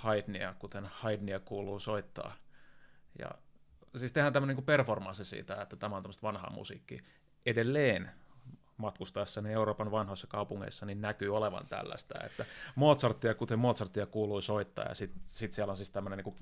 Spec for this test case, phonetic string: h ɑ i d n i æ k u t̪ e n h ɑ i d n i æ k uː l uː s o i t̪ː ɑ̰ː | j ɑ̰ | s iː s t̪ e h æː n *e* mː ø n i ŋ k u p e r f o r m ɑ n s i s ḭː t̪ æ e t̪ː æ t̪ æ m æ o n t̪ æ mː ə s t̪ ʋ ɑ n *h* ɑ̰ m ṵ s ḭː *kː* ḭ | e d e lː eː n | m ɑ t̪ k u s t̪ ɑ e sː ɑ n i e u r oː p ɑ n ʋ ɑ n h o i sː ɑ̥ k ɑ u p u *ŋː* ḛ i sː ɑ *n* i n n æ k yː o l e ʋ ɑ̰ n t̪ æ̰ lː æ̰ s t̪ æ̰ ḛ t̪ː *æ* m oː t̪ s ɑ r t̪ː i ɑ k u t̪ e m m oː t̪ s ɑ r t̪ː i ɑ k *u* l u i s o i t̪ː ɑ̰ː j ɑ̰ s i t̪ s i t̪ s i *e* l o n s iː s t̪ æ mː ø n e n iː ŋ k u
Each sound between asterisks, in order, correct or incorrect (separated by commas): incorrect, correct, correct, correct, correct, correct, incorrect, incorrect